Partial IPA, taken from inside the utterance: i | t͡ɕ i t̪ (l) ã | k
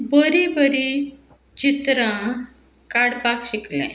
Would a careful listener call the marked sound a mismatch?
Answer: yes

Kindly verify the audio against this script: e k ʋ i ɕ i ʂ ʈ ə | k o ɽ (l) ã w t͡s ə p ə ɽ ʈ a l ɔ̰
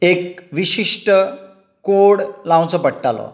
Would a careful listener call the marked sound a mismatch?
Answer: no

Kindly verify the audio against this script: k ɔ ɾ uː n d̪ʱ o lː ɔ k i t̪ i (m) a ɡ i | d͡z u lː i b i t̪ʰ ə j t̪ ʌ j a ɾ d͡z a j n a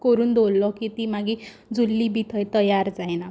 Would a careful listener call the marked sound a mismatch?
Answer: no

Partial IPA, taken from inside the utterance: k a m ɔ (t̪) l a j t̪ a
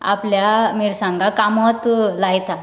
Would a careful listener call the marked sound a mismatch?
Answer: no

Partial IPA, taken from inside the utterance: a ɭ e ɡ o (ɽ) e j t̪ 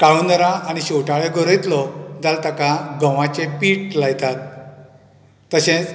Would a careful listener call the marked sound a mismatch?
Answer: yes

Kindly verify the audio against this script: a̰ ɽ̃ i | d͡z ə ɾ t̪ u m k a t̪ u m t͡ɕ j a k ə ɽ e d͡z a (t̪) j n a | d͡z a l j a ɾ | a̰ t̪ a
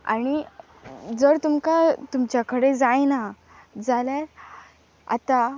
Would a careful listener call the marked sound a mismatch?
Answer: yes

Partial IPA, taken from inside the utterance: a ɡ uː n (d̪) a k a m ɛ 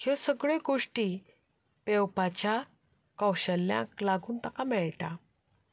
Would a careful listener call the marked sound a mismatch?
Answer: yes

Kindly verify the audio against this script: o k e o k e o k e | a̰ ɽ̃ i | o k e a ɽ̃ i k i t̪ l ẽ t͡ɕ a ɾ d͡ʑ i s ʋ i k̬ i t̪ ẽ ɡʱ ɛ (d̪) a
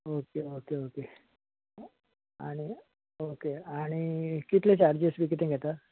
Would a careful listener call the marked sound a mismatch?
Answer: yes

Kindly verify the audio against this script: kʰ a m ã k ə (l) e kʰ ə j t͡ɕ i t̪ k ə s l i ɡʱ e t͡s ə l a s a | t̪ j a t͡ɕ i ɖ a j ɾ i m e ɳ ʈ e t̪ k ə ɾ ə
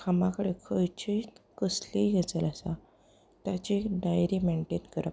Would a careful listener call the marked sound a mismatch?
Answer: yes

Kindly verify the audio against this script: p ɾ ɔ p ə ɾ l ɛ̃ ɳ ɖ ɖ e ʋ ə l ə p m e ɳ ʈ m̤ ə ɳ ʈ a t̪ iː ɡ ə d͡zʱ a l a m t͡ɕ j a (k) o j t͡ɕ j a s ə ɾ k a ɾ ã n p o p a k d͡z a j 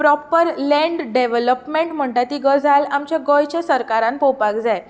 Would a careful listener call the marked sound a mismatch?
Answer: yes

